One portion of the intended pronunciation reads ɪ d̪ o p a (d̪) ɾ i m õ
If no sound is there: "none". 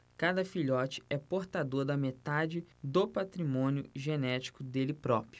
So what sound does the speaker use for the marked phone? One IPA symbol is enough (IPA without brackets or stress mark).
t̪